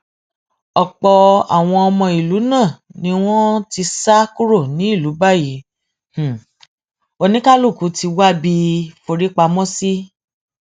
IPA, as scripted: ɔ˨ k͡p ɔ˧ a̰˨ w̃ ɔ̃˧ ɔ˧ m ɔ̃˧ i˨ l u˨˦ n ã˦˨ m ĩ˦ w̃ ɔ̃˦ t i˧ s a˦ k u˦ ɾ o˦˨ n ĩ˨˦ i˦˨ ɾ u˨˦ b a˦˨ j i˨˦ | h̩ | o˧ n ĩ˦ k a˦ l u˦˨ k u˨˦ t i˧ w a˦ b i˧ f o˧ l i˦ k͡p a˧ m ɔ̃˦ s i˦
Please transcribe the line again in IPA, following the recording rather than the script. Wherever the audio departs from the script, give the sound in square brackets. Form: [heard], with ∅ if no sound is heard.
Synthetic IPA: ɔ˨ k͡p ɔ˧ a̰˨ w̃ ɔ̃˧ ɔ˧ m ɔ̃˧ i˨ l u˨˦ n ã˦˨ [n] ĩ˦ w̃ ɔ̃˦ t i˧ s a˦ k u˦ ɾ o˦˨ n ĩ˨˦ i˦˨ [l] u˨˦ b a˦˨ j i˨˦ | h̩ | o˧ n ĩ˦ k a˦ l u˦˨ k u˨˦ t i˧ w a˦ b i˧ f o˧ [ɾ] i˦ k͡p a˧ m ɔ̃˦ s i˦